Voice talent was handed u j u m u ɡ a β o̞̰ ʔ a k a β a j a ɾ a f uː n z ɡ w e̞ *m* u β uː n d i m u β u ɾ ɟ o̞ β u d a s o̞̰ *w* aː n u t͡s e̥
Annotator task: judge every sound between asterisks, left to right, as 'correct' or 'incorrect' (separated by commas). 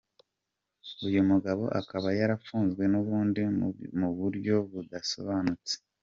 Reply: incorrect, incorrect